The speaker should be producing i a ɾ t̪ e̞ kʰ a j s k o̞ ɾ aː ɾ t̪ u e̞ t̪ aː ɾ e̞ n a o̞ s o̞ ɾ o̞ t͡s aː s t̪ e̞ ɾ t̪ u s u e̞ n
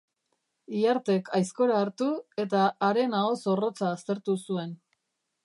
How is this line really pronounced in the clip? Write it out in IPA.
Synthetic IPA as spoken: i a ɾ t̪ e̞ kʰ a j s k o̞ ɾ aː ɾ t̪ u e̞ t̪ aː ɾ e̞ n a o̞ s o̞ r o̞ t͡s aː s t̪ e̞ ɾ t̪ u s u e̞ n